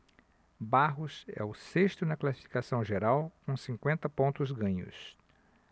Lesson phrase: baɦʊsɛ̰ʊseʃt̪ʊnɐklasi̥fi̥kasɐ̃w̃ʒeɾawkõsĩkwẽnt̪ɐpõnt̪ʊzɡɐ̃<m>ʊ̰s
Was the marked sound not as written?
yes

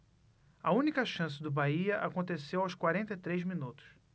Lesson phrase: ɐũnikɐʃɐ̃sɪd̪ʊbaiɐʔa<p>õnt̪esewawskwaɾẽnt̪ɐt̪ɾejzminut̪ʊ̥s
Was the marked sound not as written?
yes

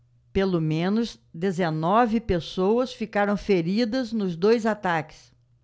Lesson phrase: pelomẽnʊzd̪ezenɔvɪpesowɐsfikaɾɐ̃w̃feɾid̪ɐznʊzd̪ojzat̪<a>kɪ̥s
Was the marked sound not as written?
no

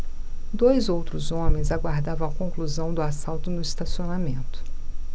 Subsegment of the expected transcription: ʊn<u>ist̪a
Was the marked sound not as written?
yes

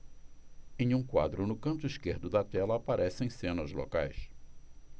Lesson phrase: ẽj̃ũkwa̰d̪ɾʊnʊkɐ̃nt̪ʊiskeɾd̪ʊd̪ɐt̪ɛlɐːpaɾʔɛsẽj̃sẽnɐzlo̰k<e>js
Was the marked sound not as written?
yes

